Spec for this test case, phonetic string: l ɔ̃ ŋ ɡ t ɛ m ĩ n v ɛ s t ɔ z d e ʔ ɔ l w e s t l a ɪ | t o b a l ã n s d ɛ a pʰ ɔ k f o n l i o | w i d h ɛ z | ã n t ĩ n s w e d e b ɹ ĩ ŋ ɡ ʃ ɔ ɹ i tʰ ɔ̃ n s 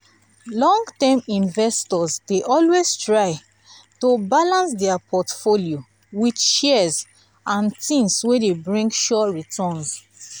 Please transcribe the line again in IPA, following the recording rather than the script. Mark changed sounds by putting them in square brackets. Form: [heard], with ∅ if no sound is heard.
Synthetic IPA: l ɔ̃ ŋ ɡ t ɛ m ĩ n v ɛ s t ɔ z d e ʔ ɔ l w e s t [ɹ] a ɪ | t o b a l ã n s d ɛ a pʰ ɔ [t] f o [∅] l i o | w i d [ʃ] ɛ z | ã n t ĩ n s w e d e b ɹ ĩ ŋ ɡ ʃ ɔ ɹ i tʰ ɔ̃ n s